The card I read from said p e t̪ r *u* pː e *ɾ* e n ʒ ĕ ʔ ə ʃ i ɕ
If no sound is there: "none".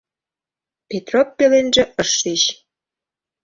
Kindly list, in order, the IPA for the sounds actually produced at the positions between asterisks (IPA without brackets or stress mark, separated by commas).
o, l